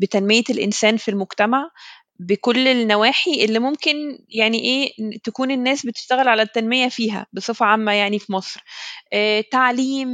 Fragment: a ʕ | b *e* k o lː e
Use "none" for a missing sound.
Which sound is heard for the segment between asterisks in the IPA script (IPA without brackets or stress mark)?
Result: e